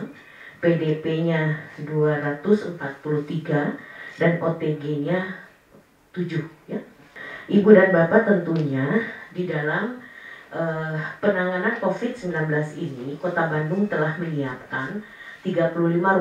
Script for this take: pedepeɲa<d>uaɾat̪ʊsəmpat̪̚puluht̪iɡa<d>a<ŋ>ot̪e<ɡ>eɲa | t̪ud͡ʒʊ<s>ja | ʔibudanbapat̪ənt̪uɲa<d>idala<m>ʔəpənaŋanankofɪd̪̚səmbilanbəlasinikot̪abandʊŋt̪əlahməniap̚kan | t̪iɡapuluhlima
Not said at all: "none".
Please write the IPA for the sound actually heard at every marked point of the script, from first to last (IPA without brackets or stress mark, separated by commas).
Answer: d, d, n, ɡ, h, d, m